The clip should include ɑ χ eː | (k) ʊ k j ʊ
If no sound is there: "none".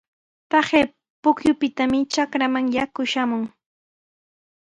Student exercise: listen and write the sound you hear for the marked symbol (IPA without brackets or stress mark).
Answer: p